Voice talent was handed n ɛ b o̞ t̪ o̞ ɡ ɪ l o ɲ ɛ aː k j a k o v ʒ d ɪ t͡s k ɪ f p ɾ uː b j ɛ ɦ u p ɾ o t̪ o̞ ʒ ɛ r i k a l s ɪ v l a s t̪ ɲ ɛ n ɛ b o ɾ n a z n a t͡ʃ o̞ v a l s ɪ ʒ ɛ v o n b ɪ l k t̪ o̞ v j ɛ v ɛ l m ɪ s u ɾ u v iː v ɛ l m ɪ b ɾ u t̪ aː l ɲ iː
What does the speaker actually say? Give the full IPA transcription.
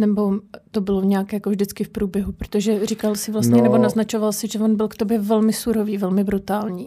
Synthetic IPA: n ɛ b o̞ t̪ o̞ b ɪ l o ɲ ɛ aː k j a k o v ʒ d ɪ t͡s k ɪ f p ɾ uː b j ɛ ɦ u p ɾ o t̪ o̞ ʒ ɛ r i k a l s ɪ v l a s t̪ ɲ ɛ n ɛ b o n a z n a t͡ʃ o̞ v a l s ɪ ʒ ɛ v o n b ɪ l k t̪ o̞ b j ɛ v ɛ l m ɪ s u ɾ o v iː v ɛ l m ɪ b ɾ u t̪ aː l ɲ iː